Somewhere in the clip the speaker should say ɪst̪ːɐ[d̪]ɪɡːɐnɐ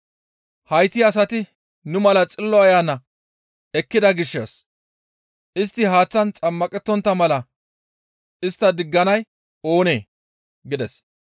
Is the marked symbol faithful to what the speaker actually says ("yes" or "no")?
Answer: yes